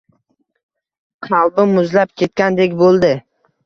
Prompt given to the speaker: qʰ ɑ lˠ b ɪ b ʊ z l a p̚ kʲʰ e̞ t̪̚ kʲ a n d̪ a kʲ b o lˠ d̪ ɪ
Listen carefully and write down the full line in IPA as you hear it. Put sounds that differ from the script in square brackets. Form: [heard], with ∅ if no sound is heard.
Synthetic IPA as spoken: qʰ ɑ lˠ b ɪ [m] ʊ z l a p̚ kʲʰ e̞ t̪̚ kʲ a n d̪ [e] kʲ b o lˠ d̪ ɪ